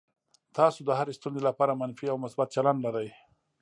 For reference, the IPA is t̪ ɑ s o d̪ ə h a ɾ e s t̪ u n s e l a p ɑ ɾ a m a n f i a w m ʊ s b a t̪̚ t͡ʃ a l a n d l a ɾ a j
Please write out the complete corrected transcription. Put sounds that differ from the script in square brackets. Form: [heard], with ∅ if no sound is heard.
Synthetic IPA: t̪ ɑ s o d̪ ə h a ɾ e s t̪ u n [z] e l a p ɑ ɾ a m a n f i a w m ʊ s b a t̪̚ t͡ʃ a l a n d l a ɾ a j